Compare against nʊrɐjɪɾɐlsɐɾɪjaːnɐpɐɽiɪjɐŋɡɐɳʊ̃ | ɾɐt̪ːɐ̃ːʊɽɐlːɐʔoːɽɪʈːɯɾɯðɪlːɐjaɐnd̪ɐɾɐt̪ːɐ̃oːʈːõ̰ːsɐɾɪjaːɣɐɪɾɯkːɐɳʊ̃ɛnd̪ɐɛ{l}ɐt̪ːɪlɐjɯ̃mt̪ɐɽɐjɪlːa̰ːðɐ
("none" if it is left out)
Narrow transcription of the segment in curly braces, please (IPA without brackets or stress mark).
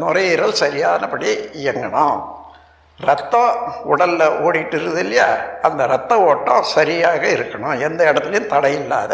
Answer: ɽ